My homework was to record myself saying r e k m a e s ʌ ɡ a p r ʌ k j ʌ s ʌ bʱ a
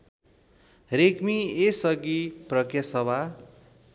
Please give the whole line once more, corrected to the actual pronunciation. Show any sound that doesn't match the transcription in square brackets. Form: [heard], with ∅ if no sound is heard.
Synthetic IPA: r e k m [i] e s ʌ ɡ [i] p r ʌ k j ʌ s ʌ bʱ a

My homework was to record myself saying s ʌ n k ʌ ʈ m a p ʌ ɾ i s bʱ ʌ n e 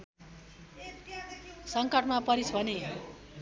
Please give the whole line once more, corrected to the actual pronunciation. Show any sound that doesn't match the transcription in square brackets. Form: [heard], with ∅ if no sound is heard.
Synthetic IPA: s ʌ [ŋ] k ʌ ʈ m a p ʌ ɾ i s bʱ ʌ n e

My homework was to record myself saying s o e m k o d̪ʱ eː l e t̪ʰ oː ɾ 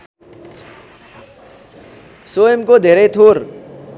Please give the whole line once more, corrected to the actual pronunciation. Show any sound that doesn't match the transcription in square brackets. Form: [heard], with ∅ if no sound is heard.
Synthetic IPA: s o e m k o d̪ʱ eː [ɾ] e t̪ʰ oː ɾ

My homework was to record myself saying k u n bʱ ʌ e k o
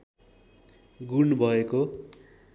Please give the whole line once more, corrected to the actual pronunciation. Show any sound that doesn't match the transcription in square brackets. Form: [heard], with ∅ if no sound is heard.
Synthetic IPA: [ɡ] u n bʱ ʌ e k o

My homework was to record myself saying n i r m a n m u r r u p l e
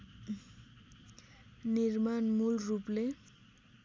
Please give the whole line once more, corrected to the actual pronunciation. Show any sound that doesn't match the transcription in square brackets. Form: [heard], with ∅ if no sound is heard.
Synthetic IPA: n i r m a n m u [l] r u p l e

